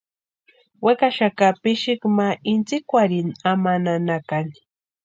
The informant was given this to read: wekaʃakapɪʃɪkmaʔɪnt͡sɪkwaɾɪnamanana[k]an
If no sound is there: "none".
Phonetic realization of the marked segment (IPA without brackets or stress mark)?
k